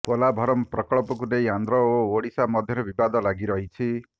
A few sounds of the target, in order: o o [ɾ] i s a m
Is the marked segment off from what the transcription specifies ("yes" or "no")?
yes